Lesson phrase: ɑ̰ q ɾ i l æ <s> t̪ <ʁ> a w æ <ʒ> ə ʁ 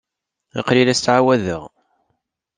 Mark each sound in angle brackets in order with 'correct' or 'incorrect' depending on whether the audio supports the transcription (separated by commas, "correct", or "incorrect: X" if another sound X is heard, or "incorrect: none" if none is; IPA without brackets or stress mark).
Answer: correct, incorrect: ʕ, incorrect: ð